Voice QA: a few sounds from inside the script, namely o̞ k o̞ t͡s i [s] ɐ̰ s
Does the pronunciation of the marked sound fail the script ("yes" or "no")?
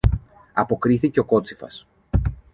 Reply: yes